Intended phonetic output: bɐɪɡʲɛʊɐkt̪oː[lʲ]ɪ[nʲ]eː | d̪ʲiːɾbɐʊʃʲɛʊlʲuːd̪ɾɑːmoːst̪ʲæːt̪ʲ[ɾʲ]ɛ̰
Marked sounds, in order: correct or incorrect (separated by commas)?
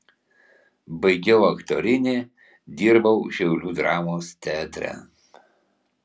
incorrect, correct, correct